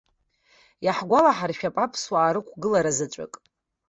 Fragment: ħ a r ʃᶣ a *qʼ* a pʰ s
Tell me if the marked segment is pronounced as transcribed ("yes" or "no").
no